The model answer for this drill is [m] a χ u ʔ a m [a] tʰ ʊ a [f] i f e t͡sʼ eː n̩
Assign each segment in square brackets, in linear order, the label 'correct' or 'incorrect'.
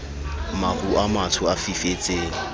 correct, correct, correct

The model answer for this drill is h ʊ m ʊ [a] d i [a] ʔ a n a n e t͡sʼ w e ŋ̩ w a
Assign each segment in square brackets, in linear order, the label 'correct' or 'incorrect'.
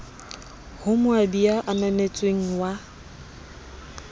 correct, correct

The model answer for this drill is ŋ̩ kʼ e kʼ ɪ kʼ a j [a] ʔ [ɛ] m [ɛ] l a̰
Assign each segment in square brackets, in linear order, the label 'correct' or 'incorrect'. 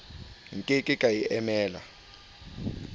incorrect, correct, incorrect

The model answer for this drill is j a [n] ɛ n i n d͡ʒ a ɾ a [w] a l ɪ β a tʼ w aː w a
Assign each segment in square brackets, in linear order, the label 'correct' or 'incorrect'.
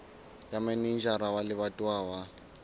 incorrect, correct

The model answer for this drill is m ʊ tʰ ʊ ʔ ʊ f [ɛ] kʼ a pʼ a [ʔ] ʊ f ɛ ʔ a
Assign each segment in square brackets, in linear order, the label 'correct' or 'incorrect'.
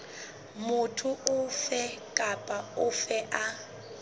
correct, incorrect

